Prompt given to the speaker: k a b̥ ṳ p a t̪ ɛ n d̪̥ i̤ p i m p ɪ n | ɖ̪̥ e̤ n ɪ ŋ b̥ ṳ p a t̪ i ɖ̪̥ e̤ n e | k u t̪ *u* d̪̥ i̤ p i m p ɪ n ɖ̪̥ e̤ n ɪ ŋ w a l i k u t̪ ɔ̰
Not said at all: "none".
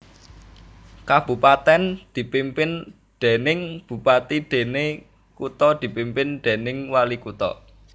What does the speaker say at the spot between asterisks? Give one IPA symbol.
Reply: ɔ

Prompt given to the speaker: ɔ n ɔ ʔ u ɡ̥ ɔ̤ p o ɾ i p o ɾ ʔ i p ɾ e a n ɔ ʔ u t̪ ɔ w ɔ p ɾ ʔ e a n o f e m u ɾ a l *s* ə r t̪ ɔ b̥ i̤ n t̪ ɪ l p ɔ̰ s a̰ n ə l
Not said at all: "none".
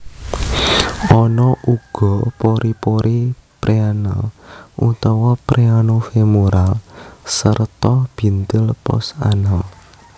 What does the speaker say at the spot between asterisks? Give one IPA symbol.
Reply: s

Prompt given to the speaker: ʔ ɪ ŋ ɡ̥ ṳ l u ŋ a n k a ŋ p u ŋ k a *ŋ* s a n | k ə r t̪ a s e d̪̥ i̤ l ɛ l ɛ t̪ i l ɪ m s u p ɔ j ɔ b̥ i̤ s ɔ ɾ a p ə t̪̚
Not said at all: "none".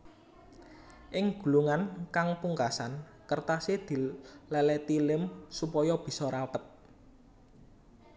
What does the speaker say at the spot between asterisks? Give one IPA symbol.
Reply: none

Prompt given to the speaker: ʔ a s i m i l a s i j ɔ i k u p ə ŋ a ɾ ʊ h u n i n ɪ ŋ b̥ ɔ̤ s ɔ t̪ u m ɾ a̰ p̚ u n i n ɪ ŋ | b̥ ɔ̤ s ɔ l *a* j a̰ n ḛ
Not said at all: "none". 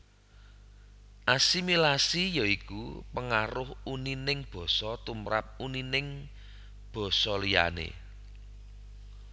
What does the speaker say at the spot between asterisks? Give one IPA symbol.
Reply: i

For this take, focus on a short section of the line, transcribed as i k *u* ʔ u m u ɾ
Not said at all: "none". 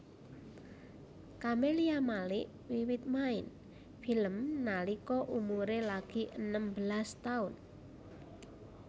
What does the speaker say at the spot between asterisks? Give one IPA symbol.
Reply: ɔ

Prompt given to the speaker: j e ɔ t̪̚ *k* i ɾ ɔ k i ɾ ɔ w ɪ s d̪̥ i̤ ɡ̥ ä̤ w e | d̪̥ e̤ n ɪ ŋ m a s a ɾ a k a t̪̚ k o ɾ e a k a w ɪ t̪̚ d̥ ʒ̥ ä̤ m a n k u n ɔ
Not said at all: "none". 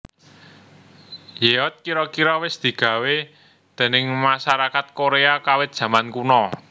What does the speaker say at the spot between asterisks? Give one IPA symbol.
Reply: k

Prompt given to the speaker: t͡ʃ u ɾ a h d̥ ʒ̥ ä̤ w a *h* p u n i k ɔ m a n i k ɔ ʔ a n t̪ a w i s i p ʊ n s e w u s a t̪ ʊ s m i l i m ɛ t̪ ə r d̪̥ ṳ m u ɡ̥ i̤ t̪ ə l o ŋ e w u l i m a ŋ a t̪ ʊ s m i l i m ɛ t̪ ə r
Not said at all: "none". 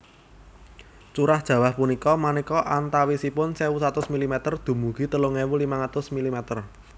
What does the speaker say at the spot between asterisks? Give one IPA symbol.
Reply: h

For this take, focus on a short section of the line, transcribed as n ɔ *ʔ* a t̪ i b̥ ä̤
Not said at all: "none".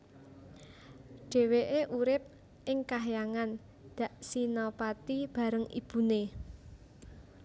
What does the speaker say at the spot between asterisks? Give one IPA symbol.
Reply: p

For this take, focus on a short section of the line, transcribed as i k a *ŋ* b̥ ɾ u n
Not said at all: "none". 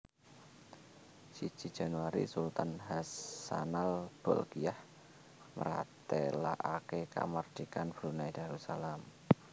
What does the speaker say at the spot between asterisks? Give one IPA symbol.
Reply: n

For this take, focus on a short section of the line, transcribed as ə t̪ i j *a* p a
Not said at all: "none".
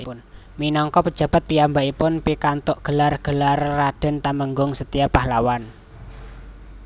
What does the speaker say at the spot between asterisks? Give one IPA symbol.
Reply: a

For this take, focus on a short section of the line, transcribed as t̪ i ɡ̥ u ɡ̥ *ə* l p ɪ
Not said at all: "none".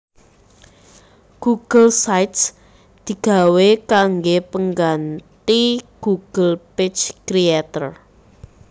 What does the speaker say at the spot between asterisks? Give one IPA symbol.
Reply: ə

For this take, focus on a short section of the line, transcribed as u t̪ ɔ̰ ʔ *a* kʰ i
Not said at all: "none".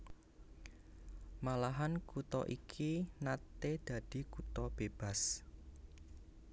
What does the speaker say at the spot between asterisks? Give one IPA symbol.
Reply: i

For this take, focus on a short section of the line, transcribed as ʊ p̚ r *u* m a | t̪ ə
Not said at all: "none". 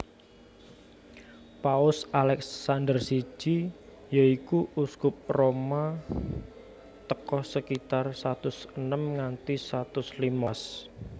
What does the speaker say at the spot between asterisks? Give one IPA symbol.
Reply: o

